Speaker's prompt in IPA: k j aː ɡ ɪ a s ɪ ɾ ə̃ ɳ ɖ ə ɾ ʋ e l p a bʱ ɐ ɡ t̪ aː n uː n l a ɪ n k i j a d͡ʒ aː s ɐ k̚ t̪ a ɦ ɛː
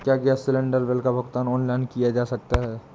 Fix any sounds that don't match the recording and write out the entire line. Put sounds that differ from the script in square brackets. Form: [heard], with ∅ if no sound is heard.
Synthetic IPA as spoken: k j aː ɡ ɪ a s ɪ [l] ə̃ ɳ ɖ ə ɾ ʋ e l [k] a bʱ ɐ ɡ t̪ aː n [ɔː] n l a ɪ n k i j a d͡ʒ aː s ɐ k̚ t̪ a ɦ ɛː